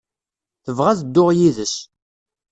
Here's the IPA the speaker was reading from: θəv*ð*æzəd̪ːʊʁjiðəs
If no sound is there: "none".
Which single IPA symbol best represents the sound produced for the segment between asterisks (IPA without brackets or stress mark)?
ʁ